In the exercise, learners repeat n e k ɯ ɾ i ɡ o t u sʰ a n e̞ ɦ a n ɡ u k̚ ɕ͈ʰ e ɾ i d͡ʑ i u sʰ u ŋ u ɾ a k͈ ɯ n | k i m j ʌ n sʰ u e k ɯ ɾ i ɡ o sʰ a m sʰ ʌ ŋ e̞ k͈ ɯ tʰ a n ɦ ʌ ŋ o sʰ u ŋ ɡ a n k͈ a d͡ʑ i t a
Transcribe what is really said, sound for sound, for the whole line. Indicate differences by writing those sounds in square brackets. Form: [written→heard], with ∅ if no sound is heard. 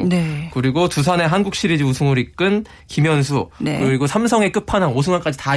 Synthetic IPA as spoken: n e k ɯ ɾ i ɡ o t u sʰ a n e̞ ɦ a n ɡ u k̚ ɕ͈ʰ [e→i] ɾ i d͡ʑ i u sʰ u ŋ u ɾ [a→i] k͈ ɯ n | k i m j ʌ n sʰ u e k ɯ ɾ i ɡ o sʰ a m sʰ ʌ ŋ e̞ k͈ ɯ [tʰ→pʰ] a n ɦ [ʌ→a] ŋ o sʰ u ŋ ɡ a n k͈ a d͡ʑ i t a